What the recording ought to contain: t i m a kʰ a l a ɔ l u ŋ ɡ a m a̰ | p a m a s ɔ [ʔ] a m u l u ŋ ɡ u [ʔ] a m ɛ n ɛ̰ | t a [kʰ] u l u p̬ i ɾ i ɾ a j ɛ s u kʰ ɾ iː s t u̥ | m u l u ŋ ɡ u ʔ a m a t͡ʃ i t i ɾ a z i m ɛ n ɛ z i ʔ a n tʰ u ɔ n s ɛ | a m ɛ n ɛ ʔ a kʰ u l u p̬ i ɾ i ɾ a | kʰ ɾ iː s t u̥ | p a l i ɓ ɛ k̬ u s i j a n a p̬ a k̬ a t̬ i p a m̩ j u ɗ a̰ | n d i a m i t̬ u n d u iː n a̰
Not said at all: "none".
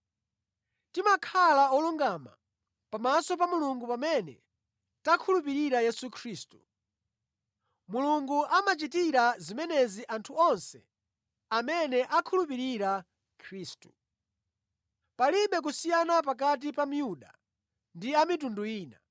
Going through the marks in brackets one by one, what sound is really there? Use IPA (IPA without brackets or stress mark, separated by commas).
p, p, kʰ